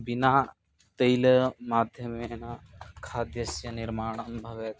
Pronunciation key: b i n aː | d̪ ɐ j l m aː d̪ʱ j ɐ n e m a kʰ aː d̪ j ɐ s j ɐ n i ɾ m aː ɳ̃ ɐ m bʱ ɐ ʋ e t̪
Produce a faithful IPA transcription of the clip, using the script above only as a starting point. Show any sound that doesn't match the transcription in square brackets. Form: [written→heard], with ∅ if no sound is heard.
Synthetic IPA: b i n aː | [d̪→t̪] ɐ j l m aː d̪ʱ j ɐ [n→m] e [m→n] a kʰ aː d̪ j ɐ s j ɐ n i ɾ m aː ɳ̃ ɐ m bʱ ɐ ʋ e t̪